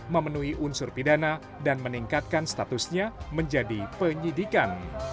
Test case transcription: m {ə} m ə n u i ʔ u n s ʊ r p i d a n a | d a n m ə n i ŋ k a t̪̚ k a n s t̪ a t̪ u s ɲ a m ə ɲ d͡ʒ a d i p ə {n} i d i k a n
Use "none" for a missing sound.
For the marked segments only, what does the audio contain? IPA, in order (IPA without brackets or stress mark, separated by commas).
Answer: ə, ɲ